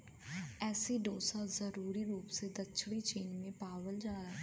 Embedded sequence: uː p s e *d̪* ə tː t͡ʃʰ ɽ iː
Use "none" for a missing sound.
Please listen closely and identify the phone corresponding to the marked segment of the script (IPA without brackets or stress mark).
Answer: d̪